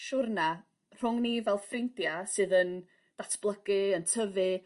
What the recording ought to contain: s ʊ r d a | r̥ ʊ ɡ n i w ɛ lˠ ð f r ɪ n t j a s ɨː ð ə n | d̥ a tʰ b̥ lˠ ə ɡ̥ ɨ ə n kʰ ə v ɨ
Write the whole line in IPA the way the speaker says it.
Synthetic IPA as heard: ʃ ʊ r n a | r̥ ʊ ŋ n i v ɛ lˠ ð f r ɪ n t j a s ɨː ð ə n | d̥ a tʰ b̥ lˠ ə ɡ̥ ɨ ə n tʰ ə v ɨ